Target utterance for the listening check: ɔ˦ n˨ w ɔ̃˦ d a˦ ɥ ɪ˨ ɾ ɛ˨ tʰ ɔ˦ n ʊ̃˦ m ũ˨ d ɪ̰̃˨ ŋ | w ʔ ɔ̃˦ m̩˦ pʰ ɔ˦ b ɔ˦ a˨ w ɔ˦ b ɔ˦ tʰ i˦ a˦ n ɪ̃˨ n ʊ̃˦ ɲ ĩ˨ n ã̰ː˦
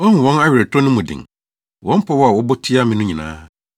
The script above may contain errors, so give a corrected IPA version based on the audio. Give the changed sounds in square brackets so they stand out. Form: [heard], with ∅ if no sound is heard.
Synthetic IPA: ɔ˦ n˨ w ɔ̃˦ [n] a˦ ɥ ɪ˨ ɾ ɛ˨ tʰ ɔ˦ n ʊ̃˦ m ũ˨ d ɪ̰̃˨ ŋ | w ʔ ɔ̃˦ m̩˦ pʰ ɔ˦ [w] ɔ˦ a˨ w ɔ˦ b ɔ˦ tʰ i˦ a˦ [m] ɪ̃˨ n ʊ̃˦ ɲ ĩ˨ n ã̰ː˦